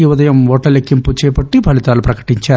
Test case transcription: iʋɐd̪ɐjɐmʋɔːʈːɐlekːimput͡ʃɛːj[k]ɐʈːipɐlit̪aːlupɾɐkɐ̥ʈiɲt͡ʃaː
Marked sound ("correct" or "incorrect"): incorrect